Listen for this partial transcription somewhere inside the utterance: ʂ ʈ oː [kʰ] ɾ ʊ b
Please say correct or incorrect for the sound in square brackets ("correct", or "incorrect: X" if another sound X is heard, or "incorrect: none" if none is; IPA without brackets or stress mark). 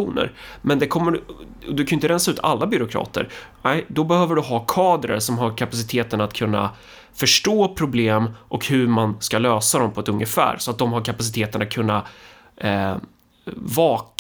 incorrect: pʰ